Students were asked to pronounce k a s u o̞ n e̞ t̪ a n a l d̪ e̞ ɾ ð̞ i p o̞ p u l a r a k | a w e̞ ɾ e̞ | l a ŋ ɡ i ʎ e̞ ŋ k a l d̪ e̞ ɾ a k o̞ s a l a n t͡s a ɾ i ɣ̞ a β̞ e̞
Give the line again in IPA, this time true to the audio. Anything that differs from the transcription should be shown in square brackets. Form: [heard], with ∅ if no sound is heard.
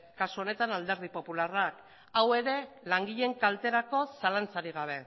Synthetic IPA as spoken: k a s u o̞ n e̞ t̪ a n a l d̪ e̞ ɾ ð̞ i p o̞ p u l a r a k | a w e̞ ɾ e̞ | l a ŋ ɡ i ʎ e̞ ŋ k a l [t̪] e̞ ɾ a k o̞ s a l a n t͡s a ɾ i ɣ̞ a β̞ e̞